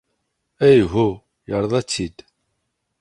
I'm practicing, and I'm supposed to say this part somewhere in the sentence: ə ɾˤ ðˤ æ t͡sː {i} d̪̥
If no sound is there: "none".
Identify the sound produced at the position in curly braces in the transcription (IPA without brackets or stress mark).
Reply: i